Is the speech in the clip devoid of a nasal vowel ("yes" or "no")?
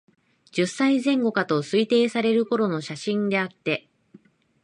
no